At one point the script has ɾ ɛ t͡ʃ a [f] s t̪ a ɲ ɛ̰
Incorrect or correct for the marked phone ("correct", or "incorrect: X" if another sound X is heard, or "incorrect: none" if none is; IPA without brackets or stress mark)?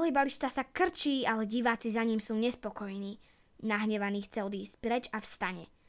correct